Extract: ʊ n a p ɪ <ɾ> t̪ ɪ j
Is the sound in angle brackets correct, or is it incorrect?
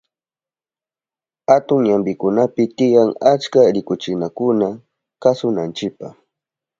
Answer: incorrect